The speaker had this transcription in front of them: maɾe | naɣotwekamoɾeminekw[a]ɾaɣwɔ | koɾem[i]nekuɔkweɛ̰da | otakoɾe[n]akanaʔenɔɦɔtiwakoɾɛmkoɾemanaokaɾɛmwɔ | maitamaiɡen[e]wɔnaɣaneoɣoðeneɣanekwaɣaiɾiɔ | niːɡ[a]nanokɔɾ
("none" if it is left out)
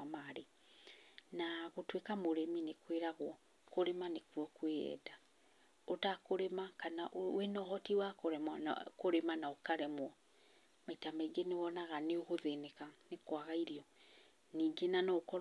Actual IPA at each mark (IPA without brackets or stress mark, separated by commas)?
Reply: e, a, m, e, e